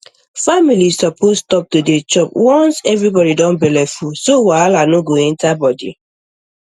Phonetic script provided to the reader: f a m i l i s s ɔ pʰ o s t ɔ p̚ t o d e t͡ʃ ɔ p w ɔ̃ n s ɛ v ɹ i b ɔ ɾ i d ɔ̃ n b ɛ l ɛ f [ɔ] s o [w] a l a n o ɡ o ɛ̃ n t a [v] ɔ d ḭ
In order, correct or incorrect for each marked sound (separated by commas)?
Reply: incorrect, correct, incorrect